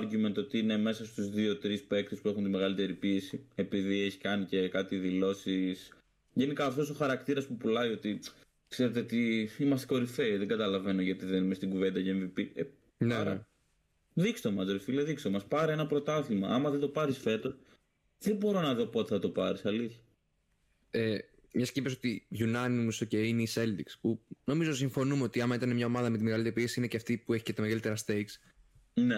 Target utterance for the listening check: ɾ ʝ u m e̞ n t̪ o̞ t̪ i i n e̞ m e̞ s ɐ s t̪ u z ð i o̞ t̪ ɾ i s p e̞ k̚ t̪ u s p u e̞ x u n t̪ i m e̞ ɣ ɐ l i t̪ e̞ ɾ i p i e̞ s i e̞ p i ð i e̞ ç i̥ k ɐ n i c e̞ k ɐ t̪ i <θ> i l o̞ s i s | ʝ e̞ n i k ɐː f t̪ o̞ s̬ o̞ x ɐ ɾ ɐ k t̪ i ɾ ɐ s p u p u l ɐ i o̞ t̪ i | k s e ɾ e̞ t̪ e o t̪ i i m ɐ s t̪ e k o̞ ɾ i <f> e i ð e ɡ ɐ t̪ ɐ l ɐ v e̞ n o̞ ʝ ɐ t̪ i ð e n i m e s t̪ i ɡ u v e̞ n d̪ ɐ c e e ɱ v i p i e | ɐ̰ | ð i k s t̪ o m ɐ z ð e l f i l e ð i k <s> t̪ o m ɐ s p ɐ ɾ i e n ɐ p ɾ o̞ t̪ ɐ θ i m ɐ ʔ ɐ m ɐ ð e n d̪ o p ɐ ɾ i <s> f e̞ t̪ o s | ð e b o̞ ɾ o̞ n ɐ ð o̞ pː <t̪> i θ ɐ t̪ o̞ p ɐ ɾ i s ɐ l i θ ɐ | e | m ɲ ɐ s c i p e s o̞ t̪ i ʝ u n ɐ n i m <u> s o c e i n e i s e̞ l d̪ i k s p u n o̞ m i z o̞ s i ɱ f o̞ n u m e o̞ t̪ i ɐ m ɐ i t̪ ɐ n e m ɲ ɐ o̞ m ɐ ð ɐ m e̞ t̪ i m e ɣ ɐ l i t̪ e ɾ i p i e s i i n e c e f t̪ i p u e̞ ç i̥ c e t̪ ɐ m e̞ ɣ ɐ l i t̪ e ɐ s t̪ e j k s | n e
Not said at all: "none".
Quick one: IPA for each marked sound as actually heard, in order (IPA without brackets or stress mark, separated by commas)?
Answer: ð, f, s, s, t̪, u